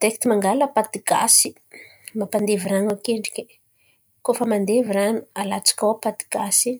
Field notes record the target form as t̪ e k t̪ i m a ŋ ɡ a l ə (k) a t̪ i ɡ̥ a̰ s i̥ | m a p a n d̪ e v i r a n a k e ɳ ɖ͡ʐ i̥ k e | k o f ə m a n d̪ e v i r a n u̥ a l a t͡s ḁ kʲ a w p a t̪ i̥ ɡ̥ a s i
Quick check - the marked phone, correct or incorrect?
incorrect: p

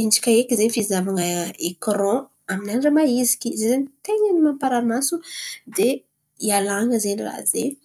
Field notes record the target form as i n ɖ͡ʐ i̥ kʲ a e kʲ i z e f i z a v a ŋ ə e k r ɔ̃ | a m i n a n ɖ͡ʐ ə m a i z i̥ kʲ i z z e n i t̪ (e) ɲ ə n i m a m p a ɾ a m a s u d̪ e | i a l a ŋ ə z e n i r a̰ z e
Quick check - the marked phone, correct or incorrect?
correct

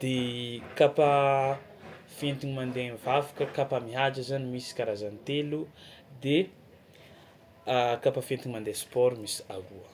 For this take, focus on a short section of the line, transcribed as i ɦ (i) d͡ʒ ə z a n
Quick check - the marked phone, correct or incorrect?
incorrect: a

